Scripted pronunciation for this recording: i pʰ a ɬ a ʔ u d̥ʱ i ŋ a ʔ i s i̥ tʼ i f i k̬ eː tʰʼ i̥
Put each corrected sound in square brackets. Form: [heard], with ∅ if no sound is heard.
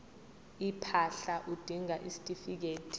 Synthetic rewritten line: i pʰ a ɬ a ʔ u d̥ʱ i ŋ a ʔ i s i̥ tʼ i f i k̬ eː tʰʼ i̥